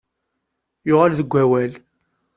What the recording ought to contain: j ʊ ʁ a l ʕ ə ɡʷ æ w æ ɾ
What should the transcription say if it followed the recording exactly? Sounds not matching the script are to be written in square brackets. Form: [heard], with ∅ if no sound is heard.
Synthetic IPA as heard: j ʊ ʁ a l [ð] ə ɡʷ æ w æ [l]